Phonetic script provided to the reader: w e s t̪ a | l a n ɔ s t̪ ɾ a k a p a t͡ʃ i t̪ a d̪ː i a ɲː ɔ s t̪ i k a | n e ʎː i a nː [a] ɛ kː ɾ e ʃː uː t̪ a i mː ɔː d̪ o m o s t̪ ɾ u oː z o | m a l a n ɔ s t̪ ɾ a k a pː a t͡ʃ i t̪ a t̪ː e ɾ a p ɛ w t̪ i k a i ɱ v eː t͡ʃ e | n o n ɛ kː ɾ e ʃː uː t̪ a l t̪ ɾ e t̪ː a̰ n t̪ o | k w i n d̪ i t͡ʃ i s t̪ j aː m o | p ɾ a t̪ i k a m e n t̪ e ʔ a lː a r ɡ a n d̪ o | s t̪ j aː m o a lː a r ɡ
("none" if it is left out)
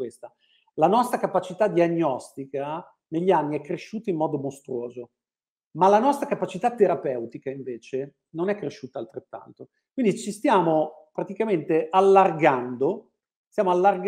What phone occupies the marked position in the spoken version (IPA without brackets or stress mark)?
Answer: i